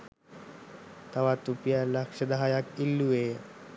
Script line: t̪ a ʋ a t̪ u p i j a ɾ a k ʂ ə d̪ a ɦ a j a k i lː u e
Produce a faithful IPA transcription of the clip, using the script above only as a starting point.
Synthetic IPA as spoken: t̪ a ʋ a t̪ u p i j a l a k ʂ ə d̪ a ɦ a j a k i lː u e